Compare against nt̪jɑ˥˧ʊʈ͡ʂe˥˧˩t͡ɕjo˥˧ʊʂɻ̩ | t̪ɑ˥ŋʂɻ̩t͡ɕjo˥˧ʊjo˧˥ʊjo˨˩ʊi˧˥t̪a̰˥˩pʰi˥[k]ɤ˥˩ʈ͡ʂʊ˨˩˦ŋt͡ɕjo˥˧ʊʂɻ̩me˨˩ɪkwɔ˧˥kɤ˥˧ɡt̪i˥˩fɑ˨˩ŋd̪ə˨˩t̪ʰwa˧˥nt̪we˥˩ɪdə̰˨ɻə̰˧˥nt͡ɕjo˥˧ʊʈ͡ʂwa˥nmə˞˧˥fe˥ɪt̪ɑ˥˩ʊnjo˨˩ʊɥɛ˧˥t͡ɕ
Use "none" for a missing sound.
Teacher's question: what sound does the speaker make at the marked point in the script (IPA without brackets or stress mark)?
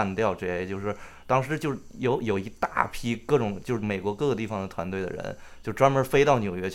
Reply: k